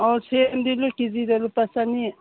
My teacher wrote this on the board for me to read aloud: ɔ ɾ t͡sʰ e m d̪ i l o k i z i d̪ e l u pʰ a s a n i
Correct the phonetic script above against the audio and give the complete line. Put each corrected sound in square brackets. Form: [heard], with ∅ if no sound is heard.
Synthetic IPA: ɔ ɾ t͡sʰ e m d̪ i l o k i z i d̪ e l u [p] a s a n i